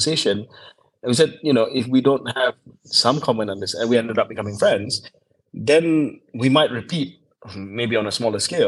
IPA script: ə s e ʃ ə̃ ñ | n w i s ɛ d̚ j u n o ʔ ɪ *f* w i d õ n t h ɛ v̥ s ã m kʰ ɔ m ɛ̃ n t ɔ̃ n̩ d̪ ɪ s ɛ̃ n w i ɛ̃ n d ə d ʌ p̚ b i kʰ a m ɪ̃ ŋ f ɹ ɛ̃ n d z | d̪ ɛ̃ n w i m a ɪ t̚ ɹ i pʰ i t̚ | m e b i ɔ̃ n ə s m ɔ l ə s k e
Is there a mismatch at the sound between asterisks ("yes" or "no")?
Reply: no